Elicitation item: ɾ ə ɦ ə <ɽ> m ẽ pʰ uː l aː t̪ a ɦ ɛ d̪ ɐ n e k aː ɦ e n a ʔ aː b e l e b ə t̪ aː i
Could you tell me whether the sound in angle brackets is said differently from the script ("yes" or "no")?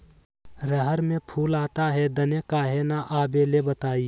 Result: yes